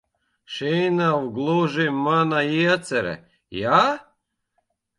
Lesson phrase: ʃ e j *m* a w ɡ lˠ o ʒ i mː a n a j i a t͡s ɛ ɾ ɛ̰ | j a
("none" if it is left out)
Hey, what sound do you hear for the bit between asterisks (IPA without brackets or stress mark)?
n